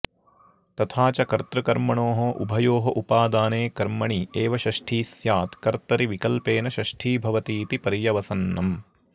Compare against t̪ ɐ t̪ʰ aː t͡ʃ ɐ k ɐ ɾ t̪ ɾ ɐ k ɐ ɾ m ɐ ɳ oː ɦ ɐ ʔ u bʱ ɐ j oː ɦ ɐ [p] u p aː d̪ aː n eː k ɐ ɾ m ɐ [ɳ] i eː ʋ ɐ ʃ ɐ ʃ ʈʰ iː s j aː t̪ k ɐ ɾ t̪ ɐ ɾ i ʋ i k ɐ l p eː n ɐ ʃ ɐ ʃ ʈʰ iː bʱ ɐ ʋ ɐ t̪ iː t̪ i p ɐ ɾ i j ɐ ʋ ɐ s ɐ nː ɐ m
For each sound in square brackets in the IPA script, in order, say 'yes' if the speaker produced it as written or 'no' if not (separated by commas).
no, yes